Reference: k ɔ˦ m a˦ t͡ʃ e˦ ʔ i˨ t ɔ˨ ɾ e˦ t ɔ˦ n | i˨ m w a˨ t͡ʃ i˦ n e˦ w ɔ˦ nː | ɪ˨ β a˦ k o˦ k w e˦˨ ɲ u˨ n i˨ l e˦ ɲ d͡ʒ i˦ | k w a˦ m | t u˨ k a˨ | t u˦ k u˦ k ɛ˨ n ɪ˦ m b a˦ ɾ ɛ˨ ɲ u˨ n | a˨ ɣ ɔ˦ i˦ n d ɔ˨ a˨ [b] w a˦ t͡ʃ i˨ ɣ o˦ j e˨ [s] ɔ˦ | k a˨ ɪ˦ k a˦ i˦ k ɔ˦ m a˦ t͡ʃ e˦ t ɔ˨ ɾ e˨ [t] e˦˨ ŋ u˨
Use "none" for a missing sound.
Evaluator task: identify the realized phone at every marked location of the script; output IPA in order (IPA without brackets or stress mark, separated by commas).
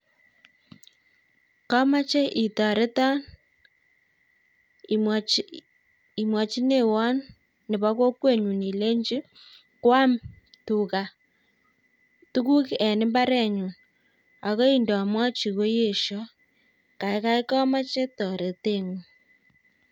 m, ʃ, t